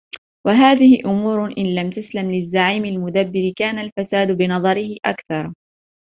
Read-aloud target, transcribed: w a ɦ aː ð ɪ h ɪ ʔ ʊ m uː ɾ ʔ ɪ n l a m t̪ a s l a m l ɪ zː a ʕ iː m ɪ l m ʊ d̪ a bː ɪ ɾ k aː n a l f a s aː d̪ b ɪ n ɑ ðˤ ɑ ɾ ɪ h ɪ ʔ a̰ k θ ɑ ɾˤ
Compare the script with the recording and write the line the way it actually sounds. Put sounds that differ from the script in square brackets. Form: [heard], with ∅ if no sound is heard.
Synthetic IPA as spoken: w a ɦ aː ð ɪ h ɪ ʔ ʊ m uː ɾ ʔ ɪ n l a m t̪ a s l a m l ɪ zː a ʕ iː m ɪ l m ʊ d̪ a bː ɪ ɾ k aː n a l f a s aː d̪ b ɪ n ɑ ðˤ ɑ ɾ ɪ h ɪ ʔ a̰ k θ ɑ ɾˤ